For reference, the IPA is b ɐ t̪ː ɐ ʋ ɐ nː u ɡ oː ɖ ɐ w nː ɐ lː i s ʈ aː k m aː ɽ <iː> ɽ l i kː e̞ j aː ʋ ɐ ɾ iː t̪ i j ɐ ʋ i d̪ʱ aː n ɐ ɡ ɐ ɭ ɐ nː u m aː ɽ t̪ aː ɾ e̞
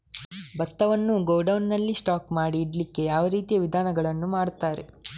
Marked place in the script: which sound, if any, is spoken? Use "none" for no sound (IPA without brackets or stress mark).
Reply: iː